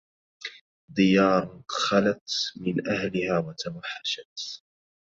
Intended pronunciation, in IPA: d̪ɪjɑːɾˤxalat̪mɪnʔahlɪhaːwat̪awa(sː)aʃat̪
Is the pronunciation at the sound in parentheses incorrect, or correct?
incorrect